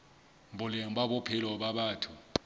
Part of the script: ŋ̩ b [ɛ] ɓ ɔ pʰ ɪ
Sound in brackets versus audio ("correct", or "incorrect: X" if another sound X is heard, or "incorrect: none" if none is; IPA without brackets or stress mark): incorrect: a